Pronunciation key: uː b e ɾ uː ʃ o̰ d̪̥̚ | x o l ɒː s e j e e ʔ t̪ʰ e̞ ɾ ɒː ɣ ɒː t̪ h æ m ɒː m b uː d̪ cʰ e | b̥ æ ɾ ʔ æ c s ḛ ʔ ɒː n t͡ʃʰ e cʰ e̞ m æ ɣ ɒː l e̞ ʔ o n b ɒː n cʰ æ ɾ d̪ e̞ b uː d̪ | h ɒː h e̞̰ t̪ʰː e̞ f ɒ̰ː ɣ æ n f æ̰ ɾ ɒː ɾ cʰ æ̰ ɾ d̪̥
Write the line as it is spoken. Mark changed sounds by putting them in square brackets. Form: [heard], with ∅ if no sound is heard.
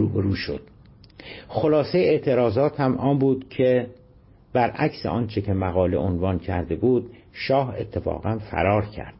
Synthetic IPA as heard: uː b e ɾ uː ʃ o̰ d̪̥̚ | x o l ɒː s e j e e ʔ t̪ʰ e̞ ɾ ɒː [z] ɒː t̪ h æ m ɒː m b uː d̪ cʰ e | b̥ æ ɾ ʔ æ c s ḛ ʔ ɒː n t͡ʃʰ e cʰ e̞ m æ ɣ ɒː l e̞ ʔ o n [v] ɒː n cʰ æ ɾ d̪ e̞ b uː d̪ | [ʃ] ɒː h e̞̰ t̪ʰː e̞ f ɒ̰ː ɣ æ n f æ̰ ɾ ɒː ɾ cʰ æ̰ ɾ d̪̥